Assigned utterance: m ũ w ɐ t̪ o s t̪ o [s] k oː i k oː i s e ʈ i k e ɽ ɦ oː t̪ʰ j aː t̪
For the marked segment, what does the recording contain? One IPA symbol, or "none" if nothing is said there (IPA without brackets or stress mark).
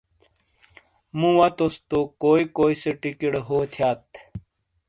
none